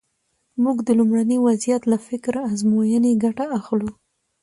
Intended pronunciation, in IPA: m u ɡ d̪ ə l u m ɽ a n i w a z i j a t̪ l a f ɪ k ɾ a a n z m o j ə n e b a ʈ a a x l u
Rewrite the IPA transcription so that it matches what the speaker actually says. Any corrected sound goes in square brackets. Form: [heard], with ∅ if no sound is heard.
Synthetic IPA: m u ɡ d̪ ə l u m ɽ a n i w a z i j a t̪ l a f ɪ k ɾ a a [∅] z m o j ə n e [ɡ] a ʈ a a x l u